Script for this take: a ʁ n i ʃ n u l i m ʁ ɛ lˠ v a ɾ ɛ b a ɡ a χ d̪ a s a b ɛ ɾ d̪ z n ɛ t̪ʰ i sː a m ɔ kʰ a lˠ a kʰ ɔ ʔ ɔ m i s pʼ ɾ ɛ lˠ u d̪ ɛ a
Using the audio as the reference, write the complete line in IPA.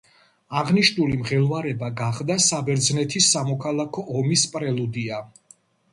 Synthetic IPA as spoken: a ʁ n i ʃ n u l i m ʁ ɛ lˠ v a ɾ ɛ b a ɡ a χ d̪ a s a b ɛ ɾ d̪ z n ɛ t̪ʰ i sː a m ɔ kʰ a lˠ a kʰ ɔ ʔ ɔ m i s pʼ ɾ ɛ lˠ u d̪ i a